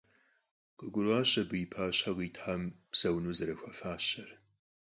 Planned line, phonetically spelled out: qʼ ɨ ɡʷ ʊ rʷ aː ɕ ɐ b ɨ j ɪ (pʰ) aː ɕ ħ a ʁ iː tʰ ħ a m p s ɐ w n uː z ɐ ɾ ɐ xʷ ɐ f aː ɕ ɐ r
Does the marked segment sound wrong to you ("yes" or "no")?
no